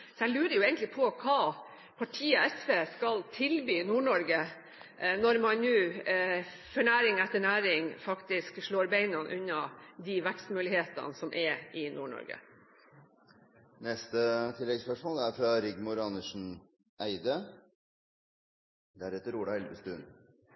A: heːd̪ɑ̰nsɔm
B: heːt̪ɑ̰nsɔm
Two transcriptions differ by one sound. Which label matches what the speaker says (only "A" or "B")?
B